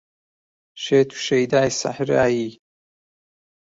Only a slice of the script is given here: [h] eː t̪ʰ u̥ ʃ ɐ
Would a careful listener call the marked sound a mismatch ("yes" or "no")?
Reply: yes